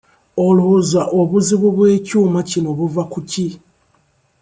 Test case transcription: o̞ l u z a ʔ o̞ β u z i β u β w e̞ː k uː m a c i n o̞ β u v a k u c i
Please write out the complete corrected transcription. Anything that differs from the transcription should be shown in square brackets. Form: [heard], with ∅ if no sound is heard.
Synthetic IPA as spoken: o̞ l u z a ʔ o̞ β u z i β u β w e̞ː [c] uː m a c i n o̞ β u v a k u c i